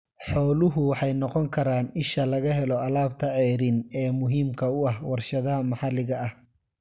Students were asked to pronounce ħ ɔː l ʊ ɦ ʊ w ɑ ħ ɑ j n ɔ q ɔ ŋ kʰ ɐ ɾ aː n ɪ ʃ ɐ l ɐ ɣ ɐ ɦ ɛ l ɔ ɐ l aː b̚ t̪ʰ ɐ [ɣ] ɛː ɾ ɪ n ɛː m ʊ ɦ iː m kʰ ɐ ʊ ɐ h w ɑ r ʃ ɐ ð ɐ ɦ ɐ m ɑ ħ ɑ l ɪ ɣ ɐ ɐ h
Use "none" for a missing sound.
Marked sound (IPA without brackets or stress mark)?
ʕ